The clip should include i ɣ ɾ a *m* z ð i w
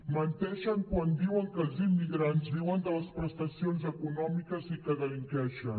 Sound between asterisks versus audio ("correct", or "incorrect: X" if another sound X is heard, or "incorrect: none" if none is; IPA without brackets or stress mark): incorrect: n